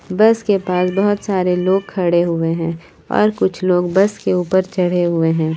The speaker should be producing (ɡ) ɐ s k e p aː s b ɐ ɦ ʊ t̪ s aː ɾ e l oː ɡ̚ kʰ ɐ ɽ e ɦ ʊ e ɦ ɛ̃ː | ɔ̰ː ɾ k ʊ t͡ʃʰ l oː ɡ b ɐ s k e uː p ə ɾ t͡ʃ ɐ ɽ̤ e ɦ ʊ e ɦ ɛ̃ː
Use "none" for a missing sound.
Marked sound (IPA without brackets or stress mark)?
b